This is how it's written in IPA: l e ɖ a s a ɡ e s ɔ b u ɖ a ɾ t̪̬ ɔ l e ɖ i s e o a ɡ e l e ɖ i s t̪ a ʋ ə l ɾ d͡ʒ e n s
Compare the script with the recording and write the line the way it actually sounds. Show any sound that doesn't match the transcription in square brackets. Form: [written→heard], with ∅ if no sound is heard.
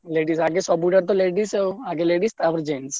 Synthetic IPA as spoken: l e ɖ [a→i] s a ɡ e s ɔ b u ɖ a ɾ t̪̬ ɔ l e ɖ i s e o a ɡ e l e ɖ i s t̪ a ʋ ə [l→∅] ɾ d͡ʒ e n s